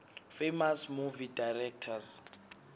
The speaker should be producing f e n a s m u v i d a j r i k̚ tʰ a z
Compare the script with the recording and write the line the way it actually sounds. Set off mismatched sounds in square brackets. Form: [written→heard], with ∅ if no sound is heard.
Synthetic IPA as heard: f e [n→m] a s m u v i d a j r [i→ɛ] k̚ tʰ a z